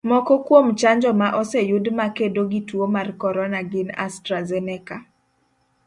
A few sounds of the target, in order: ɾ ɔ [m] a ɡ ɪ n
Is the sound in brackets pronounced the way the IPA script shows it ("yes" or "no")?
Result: no